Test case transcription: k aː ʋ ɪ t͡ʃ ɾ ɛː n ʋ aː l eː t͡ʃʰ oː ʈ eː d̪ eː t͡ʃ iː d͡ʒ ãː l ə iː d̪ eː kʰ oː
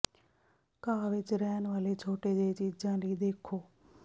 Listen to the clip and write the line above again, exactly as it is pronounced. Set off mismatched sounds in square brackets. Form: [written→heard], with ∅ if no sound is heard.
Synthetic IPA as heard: k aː ʋ ɪ t͡ʃ ɾ ɛː n ʋ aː l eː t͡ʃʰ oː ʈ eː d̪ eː t͡ʃ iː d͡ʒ ãː l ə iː d̪ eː kʰ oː